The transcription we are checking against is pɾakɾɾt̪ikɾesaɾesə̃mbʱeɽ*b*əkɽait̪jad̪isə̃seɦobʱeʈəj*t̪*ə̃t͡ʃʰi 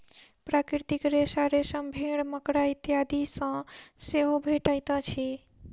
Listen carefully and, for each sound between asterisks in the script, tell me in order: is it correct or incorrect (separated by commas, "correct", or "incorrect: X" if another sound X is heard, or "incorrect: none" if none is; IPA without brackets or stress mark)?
incorrect: m, correct